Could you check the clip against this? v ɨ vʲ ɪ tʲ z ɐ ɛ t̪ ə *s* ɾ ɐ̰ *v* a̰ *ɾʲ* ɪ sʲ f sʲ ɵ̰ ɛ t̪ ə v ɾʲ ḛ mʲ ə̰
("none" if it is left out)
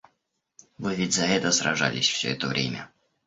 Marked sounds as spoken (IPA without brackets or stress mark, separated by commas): s, ʐ, lʲ